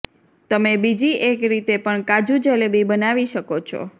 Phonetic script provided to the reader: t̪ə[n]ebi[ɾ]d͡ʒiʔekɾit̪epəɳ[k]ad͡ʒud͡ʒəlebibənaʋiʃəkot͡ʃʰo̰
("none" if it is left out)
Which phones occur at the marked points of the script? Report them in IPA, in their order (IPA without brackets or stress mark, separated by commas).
m, none, k